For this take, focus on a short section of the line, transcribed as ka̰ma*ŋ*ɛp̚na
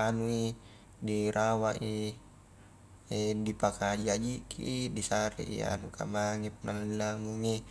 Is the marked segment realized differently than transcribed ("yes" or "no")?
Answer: no